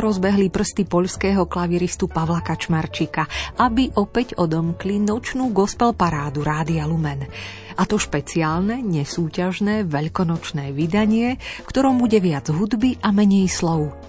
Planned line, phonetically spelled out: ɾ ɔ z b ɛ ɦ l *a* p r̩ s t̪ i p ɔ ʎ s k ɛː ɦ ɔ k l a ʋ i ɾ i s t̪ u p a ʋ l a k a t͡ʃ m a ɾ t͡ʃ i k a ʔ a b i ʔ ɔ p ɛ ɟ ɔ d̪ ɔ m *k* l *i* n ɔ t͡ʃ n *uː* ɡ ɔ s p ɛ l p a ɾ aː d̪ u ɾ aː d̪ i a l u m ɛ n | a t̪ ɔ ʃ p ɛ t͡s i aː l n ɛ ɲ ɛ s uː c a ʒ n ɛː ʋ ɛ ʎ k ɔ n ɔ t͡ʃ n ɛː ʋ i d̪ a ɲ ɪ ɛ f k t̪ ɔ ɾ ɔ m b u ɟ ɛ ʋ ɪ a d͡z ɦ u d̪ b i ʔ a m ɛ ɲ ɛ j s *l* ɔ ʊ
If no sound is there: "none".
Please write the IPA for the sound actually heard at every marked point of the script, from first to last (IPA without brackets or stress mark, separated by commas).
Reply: i, k, i, uː, l